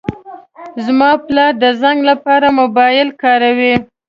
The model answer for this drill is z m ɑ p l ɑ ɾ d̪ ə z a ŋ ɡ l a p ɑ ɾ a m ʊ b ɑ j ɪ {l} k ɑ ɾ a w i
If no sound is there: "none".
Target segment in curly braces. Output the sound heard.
l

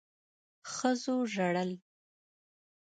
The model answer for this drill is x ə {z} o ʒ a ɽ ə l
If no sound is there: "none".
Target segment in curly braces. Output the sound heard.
z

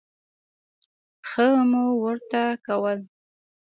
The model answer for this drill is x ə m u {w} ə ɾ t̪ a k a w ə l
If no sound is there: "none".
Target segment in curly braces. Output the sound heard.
w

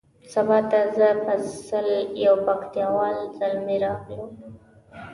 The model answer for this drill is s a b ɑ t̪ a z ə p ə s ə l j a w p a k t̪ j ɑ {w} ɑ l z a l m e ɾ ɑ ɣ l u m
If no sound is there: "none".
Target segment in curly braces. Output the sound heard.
w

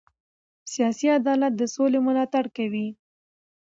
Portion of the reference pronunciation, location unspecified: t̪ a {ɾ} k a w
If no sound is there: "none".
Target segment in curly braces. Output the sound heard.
ɽ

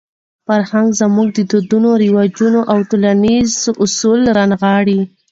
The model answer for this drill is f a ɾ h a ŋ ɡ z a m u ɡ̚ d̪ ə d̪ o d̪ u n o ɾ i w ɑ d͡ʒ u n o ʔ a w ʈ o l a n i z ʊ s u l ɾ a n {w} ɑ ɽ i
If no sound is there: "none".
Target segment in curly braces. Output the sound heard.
ɣ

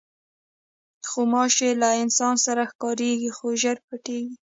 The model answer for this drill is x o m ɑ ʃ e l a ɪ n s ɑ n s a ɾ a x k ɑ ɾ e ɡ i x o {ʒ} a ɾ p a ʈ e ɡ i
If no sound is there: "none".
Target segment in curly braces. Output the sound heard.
ʒ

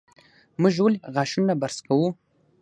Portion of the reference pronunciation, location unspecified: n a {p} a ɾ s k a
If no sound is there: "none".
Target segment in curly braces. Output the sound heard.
b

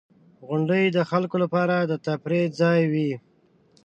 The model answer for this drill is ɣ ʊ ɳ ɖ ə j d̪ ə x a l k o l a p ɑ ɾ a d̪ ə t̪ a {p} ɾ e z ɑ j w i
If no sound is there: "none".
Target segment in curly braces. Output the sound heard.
p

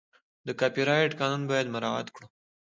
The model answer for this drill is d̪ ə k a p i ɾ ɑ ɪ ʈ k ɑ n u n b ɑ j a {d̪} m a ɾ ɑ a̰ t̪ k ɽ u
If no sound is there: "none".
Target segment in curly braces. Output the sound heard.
d̪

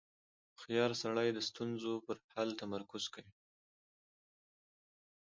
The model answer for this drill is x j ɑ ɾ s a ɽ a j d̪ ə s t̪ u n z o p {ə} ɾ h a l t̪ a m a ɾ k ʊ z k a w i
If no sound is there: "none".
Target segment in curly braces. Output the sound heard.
ə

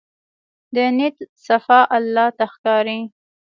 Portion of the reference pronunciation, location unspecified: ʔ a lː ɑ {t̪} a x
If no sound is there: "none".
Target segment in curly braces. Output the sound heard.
t̪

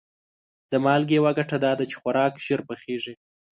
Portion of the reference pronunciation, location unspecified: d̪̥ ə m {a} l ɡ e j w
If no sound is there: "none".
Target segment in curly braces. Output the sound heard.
ɑ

